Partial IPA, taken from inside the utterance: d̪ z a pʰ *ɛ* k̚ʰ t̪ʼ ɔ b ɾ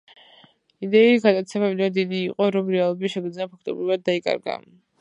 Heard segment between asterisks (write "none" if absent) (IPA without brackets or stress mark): a